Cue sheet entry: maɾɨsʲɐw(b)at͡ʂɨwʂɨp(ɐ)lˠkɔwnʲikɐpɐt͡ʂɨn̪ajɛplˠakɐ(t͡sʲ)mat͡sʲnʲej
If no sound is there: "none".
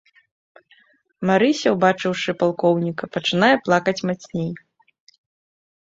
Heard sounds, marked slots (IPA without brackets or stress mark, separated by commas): b, a, t͡sʲ